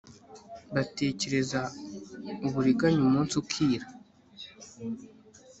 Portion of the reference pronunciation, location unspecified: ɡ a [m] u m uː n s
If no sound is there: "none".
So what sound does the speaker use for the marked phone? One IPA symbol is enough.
ɲ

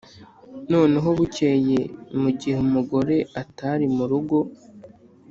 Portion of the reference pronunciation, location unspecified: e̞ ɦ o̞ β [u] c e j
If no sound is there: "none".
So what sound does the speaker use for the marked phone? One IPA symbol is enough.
u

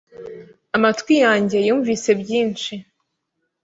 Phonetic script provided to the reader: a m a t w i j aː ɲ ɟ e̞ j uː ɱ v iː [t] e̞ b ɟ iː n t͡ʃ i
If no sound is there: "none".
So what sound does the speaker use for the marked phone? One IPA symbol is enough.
s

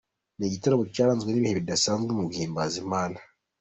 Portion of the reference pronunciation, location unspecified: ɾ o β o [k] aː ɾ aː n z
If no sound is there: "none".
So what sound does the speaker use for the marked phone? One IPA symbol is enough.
c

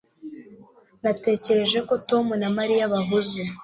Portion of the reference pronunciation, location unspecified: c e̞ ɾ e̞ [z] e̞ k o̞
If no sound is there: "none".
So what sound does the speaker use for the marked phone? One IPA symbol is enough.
ʒ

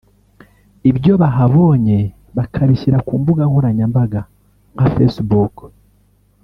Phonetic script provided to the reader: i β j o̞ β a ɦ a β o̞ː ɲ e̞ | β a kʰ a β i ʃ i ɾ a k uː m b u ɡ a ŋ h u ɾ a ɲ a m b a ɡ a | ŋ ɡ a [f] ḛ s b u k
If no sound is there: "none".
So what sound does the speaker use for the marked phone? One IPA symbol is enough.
f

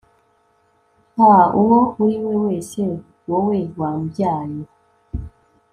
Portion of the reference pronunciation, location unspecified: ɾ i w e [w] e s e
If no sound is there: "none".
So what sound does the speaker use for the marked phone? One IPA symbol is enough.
w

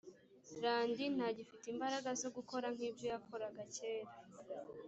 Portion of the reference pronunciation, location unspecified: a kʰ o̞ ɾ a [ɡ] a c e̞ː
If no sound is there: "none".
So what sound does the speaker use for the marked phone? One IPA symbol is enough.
ɡ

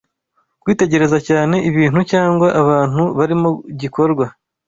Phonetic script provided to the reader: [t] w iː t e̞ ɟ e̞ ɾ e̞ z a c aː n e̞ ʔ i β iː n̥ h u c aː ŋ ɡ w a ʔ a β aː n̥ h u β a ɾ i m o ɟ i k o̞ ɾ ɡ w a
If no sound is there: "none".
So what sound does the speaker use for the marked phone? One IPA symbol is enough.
k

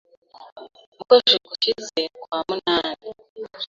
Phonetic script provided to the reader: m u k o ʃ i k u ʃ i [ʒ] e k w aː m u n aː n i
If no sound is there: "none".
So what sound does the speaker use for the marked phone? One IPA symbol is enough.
z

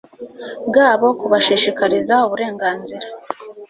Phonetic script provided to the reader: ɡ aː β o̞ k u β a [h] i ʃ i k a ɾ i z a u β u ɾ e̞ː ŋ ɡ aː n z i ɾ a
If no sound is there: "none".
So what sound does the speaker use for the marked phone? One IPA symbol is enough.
ʃ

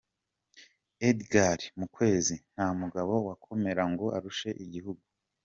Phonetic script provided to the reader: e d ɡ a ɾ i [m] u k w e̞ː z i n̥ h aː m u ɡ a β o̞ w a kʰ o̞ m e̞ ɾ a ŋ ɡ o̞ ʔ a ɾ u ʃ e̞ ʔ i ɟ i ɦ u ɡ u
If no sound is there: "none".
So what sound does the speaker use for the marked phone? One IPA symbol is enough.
m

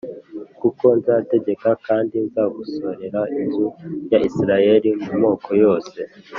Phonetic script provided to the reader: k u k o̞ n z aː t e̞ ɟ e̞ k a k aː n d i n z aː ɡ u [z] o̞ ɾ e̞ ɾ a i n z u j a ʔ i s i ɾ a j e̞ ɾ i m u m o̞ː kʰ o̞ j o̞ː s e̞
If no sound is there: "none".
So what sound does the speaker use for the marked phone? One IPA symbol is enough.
s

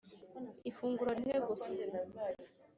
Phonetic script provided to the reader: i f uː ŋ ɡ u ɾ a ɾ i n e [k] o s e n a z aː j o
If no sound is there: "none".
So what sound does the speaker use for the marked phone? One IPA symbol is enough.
ɡ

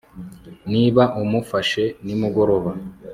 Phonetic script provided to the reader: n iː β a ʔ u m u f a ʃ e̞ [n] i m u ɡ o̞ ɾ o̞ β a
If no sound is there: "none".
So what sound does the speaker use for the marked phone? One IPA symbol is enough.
n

